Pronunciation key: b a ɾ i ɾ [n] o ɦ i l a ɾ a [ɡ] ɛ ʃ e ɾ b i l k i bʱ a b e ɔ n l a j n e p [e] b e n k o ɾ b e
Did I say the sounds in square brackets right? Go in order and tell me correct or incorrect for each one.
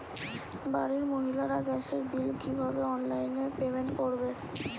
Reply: incorrect, correct, correct

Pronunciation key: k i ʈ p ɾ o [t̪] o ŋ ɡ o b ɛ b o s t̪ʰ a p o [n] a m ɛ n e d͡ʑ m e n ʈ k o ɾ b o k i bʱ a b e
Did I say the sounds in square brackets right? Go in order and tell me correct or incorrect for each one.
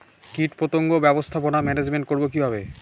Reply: correct, correct

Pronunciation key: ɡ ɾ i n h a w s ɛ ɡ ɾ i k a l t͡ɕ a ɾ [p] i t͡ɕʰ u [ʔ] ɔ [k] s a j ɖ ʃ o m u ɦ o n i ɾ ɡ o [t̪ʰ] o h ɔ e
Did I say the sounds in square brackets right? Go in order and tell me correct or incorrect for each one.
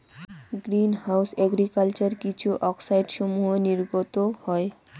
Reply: incorrect, correct, correct, incorrect

